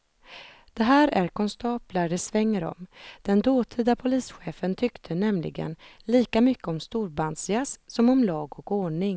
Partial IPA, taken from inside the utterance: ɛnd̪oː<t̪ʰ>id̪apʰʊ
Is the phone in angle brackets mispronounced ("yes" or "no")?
no